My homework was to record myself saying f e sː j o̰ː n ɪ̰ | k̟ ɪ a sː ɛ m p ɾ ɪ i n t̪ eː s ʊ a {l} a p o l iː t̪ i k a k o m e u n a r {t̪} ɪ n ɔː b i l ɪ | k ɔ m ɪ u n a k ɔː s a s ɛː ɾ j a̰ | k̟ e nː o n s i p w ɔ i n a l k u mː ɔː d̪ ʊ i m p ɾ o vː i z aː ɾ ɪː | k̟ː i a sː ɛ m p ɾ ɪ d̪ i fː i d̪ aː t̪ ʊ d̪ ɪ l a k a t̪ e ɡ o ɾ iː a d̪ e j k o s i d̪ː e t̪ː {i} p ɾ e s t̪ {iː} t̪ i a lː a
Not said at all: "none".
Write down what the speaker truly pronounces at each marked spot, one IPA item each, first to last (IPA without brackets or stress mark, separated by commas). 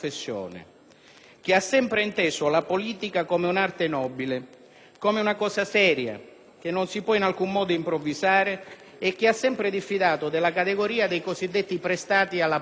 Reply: l, t̪, i, aː